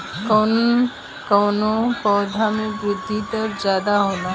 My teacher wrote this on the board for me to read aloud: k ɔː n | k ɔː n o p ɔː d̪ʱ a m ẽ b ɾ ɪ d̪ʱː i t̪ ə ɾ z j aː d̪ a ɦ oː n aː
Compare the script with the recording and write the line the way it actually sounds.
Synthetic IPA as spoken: k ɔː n | k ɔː n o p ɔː d̪ʱ a m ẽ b ɾ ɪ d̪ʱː i t̪ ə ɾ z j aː d̪ a ɦ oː n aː